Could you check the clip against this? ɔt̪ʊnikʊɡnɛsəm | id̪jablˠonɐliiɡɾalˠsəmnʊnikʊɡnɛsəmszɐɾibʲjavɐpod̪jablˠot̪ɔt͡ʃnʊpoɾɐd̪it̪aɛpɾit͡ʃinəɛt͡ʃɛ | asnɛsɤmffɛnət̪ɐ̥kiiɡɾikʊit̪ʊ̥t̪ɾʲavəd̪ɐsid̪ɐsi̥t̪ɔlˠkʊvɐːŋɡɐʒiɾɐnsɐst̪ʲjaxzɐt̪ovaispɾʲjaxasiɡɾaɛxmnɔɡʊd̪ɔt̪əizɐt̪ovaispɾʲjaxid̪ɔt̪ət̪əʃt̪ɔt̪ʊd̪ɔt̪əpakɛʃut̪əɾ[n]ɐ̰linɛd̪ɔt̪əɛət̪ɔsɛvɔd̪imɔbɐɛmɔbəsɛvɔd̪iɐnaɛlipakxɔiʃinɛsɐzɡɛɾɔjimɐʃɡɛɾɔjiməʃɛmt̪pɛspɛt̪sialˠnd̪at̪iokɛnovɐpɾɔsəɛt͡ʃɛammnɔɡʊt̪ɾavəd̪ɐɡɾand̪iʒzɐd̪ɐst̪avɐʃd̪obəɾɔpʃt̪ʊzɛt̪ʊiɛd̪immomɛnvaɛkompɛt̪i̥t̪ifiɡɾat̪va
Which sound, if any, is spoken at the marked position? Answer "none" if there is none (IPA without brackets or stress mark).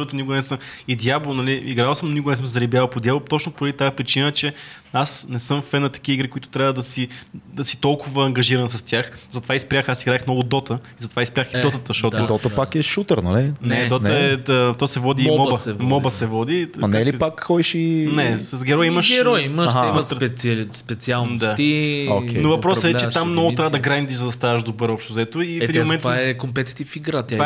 n